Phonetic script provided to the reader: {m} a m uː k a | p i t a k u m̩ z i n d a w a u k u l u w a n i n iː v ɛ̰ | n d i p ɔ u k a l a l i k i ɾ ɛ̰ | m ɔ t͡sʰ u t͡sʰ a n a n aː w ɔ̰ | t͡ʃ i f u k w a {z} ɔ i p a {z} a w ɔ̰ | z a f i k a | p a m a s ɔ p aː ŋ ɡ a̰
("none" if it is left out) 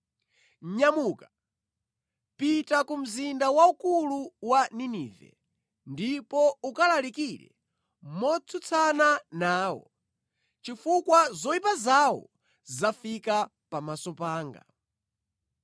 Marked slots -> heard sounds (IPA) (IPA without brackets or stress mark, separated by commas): ɲ, z, z